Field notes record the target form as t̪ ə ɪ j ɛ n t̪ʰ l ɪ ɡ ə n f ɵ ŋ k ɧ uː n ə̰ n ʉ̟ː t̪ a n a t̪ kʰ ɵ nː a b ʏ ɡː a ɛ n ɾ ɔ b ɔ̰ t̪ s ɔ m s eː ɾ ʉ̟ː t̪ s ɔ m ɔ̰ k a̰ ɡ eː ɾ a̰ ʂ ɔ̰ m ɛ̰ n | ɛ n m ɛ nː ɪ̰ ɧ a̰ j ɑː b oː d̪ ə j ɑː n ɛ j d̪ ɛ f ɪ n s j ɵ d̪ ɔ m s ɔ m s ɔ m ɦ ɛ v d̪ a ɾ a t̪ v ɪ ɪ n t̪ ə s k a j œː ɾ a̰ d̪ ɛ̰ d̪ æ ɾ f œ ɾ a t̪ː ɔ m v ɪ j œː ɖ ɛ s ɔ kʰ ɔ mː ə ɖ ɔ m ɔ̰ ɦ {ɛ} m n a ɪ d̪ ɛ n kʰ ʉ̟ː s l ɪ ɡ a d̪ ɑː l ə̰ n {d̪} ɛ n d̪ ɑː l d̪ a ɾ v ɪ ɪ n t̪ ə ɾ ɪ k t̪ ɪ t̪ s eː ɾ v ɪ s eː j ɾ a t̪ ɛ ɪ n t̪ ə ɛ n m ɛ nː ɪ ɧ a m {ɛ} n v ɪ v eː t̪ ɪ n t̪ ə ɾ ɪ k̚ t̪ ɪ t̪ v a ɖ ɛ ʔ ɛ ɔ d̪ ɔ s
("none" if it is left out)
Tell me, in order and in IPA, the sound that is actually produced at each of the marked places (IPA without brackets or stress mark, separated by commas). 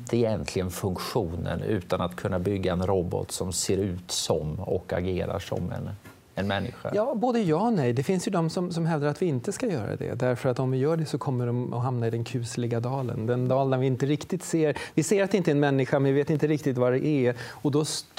a, d̪, ɛ